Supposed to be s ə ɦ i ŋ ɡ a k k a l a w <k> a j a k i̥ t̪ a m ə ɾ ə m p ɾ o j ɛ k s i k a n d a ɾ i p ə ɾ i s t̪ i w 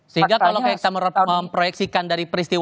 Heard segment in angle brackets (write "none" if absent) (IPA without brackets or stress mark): k